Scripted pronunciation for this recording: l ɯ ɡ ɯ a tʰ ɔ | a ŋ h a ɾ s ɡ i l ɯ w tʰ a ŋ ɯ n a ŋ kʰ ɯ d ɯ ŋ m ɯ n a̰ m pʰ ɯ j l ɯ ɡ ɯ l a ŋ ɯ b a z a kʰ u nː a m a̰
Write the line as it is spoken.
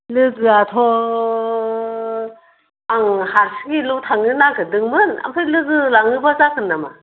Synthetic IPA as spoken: l ɯ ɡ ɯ a tʰ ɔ | a ŋ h a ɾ s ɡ i l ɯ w tʰ a ŋ ɯ n a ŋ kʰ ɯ d ɯ ŋ m ɯ n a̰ m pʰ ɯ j l ɯ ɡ ɯ l a ŋ ɯ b a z a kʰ ɯ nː a m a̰